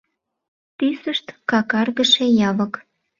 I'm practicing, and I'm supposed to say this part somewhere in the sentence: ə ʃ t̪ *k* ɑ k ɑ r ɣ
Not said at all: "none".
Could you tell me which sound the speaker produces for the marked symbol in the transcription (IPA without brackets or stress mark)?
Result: k